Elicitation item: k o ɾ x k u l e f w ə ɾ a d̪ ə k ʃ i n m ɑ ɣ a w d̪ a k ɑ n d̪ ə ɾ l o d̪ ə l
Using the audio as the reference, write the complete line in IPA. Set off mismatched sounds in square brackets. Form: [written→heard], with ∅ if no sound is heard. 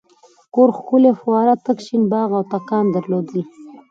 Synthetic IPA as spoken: k o ɾ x k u l e f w [ə→ɑ] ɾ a [d̪→t̪] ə k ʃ i n [m→b] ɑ ɣ a w [d̪→t̪] a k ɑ n d̪ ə ɾ l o d̪ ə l